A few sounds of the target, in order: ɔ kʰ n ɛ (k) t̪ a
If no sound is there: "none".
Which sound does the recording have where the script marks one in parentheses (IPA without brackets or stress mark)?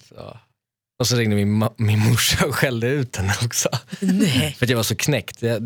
k